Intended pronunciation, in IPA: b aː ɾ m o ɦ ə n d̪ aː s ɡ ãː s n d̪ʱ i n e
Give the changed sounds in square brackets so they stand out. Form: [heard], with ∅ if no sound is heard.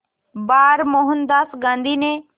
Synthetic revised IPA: b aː ɾ m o ɦ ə n d̪ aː s ɡ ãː [∅] n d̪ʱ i n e